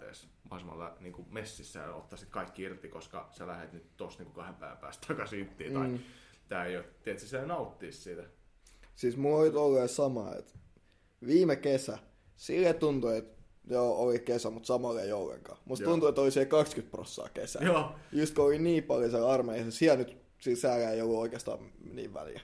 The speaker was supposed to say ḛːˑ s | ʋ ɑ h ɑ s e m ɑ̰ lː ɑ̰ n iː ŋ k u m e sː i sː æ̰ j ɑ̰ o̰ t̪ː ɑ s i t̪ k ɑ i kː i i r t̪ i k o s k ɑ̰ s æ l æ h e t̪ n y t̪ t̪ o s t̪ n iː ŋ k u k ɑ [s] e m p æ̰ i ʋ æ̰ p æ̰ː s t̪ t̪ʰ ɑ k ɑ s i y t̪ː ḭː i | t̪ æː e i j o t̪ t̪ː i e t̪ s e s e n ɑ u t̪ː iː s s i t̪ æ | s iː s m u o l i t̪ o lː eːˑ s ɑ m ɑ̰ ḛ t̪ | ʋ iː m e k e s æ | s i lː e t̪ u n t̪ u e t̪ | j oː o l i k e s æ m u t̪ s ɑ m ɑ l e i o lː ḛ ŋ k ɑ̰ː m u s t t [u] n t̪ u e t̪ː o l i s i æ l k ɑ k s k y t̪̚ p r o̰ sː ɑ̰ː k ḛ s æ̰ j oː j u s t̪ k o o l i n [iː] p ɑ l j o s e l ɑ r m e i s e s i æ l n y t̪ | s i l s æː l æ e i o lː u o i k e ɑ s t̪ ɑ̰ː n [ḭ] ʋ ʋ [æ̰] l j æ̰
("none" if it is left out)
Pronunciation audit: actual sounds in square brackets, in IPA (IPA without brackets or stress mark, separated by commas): h, u, iː, ḭː, æ̰